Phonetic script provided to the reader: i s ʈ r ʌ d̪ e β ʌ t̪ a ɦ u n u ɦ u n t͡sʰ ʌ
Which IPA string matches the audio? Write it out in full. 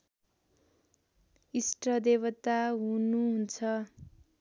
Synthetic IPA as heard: i s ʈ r ʌ d̪ e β ʌ t̪ a ɦ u n u ɦ u n t͡sʰ ʌ